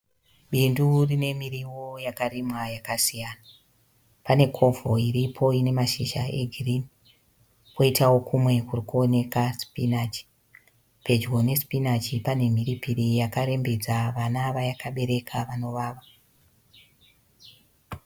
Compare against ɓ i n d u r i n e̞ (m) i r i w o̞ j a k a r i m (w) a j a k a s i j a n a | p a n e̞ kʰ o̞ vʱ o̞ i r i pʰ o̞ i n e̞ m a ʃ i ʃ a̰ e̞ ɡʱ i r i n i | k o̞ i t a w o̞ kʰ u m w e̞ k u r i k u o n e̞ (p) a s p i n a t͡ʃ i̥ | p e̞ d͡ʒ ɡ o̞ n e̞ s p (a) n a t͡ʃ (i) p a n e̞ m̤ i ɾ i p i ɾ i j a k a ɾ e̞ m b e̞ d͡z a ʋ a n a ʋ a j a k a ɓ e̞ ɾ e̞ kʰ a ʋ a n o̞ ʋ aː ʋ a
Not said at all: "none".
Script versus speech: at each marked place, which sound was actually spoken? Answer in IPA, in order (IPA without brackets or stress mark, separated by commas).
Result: m, w, k, i, i